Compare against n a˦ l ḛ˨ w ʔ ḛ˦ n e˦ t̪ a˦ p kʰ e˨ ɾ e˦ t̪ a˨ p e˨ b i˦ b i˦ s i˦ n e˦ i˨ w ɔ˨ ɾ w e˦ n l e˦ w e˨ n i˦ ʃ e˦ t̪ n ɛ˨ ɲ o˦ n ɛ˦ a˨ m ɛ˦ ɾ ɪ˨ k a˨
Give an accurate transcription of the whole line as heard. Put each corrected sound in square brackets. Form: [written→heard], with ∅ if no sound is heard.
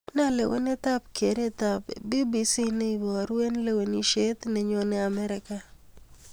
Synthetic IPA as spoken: n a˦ l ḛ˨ w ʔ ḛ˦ n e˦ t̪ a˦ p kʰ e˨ ɾ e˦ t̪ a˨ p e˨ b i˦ b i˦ s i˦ n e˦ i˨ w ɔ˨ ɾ w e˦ n l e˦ w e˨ n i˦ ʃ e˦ t̪ n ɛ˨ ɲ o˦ n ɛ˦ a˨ m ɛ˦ ɾ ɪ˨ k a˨

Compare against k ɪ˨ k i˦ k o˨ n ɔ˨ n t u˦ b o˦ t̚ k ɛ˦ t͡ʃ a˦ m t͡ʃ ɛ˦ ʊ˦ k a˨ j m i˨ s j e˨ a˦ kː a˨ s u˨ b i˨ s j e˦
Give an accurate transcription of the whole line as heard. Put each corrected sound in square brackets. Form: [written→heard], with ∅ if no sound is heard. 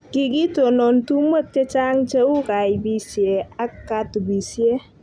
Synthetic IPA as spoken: k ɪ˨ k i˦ [k→t] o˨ n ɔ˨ n t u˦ [b→m] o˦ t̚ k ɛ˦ t͡ʃ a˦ [m→ŋ] t͡ʃ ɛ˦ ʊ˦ k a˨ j [m→b] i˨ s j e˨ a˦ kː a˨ [s→t] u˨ b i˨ s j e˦

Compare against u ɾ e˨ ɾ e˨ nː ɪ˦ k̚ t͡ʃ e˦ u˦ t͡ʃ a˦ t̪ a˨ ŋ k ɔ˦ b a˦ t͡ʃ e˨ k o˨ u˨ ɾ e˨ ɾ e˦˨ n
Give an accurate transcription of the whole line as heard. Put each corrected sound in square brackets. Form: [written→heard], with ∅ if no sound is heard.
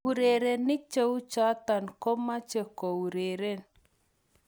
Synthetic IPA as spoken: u ɾ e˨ ɾ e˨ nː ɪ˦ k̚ t͡ʃ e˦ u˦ t͡ʃ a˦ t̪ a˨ [ŋ→n] k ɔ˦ [b→m] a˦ t͡ʃ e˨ k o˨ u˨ ɾ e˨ ɾ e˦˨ n

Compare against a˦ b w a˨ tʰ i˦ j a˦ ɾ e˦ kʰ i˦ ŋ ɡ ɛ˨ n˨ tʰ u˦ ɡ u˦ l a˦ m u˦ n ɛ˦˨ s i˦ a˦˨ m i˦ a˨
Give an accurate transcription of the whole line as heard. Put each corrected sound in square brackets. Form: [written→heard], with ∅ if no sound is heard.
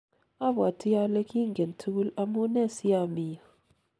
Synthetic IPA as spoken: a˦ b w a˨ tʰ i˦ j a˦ [ɾ→l] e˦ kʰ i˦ ŋ ɡ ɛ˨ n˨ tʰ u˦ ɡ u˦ l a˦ m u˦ n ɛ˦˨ s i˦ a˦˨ m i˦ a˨

